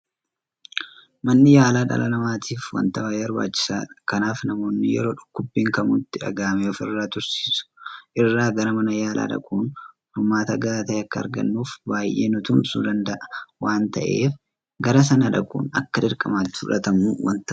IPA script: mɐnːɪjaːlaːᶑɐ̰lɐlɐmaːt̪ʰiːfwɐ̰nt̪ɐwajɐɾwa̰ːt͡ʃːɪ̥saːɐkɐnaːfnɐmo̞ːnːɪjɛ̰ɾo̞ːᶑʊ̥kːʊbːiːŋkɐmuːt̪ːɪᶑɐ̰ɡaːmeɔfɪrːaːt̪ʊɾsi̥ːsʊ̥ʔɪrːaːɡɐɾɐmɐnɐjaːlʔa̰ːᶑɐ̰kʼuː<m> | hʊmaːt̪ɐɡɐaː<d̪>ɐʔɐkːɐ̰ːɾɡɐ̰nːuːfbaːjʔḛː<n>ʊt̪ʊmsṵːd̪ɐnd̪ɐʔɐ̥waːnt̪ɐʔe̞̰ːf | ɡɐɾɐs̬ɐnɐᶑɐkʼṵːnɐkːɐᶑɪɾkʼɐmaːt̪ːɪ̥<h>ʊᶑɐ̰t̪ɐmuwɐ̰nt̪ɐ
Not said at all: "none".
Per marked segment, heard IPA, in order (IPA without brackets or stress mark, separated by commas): n, t̪, n, f